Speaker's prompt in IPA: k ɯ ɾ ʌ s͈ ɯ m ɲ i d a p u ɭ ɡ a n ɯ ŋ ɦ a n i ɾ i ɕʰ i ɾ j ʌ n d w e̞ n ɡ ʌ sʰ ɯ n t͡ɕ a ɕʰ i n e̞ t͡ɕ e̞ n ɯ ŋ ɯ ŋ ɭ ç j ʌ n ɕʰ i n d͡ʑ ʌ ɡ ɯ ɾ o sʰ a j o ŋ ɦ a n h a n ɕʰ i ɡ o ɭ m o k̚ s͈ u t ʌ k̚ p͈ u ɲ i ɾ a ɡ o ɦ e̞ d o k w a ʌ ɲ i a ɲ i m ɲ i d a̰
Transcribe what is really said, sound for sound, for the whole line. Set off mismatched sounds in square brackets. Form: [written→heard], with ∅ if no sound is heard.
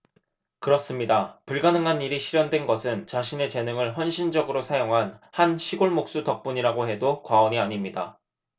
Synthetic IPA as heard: k ɯ ɾ ʌ s͈ ɯ m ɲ i d a p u ɭ ɡ a n ɯ ŋ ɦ a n i ɾ i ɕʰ i ɾ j ʌ n d w e̞ n ɡ ʌ sʰ ɯ n t͡ɕ a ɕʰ i n e̞ t͡ɕ e̞ n ɯ ŋ ɯ [ŋ→∅] ɭ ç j ʌ n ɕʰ i n d͡ʑ ʌ ɡ ɯ ɾ o sʰ a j o ŋ ɦ a n h a n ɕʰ i ɡ o ɭ m o k̚ s͈ u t ʌ k̚ p͈ u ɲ i ɾ a ɡ o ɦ e̞ d o k w a ʌ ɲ i a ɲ i m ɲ i d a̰